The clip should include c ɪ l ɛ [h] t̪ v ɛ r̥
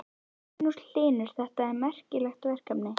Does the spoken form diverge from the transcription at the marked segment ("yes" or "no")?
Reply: yes